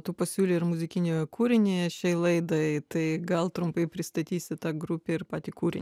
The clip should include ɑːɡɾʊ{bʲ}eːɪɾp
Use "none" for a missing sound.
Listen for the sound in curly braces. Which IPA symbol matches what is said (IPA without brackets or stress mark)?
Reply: pʲ